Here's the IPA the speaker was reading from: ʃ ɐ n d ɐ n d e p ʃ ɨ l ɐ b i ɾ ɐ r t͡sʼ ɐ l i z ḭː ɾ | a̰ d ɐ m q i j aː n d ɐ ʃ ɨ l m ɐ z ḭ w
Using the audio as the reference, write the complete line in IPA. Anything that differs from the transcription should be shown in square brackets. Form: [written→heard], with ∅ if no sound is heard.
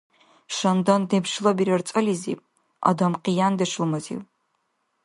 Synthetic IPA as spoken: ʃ ɐ n d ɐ n d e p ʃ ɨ l ɐ b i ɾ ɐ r t͡sʼ ɐ l i z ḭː [ɾ→∅] | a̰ d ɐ m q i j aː n d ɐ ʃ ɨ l m ɐ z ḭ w

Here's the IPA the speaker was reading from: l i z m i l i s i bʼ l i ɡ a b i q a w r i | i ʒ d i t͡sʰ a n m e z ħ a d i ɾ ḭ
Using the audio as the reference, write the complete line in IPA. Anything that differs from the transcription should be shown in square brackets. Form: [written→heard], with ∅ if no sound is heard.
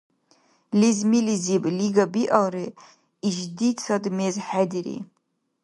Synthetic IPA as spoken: l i z m i l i [s→z] i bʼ l i ɡ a b i [q→ʔ] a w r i | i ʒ d i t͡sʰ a [n→d] m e z ħ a d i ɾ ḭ

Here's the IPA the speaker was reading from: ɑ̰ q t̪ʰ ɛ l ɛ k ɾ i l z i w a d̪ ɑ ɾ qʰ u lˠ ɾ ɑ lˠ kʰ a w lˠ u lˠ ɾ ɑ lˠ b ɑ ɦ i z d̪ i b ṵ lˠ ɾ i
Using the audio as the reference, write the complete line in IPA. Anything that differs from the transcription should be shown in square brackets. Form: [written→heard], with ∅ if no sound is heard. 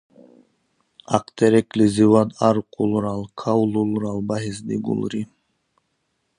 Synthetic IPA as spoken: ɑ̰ q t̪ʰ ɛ [l→ɾ] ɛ k [ɾ→l] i [l→∅] z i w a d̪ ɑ ɾ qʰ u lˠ ɾ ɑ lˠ kʰ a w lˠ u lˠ ɾ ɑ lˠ b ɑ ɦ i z d̪ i [b→ɡ] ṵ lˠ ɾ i

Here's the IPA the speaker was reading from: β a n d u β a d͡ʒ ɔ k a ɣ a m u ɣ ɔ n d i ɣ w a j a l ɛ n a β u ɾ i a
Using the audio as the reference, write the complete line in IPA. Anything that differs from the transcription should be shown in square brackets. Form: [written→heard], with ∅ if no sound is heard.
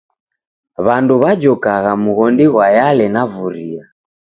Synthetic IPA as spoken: β a n d u β a d͡ʒ ɔ k a ɣ a m u ɣ ɔ n d i ɣ w a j a l ɛ n a [β→v] u ɾ i a

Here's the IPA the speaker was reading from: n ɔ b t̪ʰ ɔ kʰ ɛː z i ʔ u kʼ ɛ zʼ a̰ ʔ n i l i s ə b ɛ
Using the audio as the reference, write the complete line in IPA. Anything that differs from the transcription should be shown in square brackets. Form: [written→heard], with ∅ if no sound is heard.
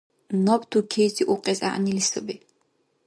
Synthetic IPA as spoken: n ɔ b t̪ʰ [ɔ→u] kʰ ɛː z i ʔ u [kʼ→qʼ] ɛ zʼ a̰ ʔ n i l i s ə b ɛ

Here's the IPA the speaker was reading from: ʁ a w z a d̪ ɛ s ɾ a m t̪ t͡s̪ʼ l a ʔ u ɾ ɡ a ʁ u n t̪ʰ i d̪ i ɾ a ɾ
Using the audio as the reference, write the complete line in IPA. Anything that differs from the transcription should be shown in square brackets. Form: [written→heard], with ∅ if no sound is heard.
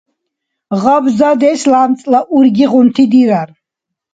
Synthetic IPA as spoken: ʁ a [w→b] z a d̪ ɛ s [ɾ→l] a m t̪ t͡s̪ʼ l a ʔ u ɾ ɡ [a→i] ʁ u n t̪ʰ i d̪ i ɾ a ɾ

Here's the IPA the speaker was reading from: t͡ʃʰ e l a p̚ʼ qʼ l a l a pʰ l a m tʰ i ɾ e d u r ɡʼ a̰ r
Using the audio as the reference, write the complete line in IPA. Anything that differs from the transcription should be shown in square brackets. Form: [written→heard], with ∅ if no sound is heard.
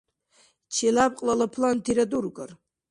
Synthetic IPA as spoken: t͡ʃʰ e l a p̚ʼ qʼ l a l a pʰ l a [m→n] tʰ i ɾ [e→a] d u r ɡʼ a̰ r

